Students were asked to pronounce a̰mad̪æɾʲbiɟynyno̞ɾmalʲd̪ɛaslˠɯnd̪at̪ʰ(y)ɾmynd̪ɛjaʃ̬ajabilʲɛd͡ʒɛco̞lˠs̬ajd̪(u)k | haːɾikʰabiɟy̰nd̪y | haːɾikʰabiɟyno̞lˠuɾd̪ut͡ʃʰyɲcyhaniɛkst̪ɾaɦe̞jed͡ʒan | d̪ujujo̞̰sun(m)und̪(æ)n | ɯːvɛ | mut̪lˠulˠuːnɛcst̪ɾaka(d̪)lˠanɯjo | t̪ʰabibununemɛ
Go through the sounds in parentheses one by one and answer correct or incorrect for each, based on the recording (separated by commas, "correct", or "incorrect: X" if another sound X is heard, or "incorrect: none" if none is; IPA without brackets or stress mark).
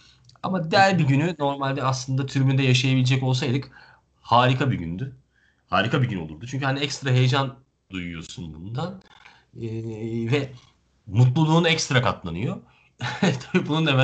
correct, incorrect: ɯ, incorrect: b, incorrect: a, incorrect: t̪